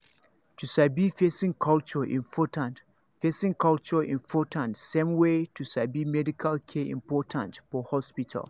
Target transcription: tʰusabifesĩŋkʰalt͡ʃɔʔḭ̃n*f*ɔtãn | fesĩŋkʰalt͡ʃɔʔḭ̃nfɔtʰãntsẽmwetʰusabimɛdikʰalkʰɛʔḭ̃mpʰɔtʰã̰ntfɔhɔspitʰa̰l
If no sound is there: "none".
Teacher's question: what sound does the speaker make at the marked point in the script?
f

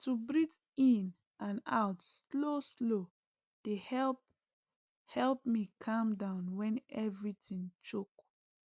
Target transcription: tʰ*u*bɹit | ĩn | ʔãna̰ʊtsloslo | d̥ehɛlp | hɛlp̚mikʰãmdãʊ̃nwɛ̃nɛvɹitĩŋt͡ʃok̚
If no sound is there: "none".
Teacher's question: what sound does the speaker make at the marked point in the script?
u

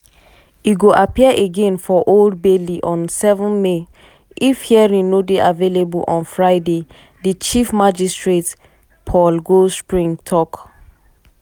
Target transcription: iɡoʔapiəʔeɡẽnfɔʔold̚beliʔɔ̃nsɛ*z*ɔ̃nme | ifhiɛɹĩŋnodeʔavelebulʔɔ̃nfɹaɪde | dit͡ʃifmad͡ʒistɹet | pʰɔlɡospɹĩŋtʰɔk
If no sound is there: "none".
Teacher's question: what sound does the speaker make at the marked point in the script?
v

